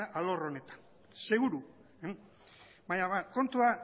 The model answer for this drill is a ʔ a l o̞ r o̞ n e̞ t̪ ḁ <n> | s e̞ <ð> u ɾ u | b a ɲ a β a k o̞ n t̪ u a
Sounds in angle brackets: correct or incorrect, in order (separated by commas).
correct, incorrect